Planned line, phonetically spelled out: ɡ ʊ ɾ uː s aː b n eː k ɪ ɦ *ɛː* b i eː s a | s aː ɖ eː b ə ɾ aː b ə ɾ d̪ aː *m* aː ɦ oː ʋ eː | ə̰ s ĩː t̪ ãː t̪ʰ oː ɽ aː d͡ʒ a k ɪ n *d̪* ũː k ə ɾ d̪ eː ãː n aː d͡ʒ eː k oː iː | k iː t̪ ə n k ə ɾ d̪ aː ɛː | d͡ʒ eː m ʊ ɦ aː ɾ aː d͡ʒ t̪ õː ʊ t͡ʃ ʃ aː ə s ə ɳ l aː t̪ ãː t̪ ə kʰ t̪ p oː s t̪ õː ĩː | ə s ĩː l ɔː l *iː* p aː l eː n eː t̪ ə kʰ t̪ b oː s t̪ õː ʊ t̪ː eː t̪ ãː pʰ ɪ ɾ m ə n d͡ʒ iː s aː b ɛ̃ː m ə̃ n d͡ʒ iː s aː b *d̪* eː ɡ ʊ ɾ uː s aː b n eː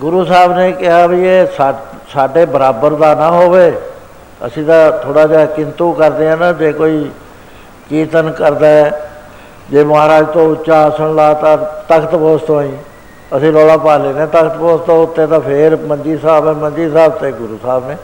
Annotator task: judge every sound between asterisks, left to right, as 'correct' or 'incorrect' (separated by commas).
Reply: incorrect, incorrect, incorrect, incorrect, incorrect